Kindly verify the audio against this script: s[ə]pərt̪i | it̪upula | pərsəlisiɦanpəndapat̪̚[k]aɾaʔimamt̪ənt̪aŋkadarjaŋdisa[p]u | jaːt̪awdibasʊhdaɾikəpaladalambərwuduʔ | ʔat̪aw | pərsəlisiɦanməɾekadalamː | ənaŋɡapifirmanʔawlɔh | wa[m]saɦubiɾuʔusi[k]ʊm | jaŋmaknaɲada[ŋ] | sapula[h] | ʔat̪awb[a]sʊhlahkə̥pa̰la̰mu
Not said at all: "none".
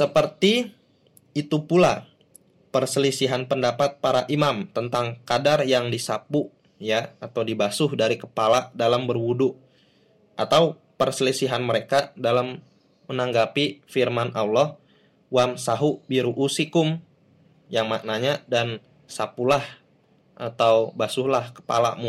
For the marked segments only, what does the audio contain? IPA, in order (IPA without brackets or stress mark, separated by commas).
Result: ə, p, p, m, k, n, h, a